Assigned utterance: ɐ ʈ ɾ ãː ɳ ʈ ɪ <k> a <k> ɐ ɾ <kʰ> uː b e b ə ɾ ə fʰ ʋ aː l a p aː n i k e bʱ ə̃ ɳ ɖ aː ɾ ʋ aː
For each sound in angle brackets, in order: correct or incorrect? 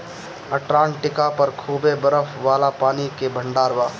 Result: correct, incorrect, correct

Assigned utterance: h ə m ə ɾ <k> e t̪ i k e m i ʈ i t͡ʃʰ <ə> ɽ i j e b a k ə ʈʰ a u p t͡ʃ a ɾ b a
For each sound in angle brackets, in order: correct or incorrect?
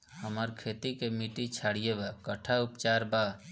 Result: incorrect, incorrect

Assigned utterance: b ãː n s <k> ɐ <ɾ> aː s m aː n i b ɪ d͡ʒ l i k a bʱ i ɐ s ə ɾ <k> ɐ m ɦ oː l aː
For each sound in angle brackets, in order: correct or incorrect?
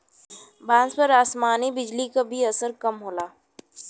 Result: incorrect, correct, correct

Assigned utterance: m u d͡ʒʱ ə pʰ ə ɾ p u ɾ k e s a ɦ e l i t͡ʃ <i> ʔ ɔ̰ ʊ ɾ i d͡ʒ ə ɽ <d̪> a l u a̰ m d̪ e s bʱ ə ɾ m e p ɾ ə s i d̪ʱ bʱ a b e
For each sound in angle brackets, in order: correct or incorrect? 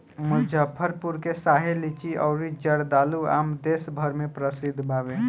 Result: correct, correct

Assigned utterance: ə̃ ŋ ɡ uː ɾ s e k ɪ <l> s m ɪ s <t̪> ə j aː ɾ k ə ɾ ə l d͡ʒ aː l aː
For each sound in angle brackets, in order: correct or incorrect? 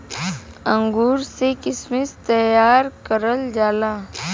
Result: incorrect, correct

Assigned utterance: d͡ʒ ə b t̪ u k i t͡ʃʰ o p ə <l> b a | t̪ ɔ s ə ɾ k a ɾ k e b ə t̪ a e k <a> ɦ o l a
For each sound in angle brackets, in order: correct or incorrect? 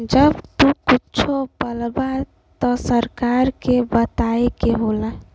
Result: correct, incorrect

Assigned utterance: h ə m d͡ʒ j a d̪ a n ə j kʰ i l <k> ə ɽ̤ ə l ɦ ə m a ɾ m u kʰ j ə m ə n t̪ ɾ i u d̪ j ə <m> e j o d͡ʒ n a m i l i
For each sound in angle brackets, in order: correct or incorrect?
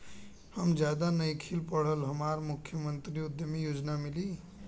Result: incorrect, correct

